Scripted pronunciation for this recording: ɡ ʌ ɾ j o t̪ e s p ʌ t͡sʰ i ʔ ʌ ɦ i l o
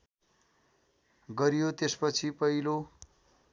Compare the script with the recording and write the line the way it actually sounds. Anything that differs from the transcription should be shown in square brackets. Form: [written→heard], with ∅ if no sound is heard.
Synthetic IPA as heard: ɡ ʌ ɾ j o t̪ e s p ʌ t͡sʰ i [ʔ→p] ʌ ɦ i l o